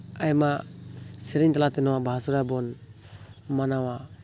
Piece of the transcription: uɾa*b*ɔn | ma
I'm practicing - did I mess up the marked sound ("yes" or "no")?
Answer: no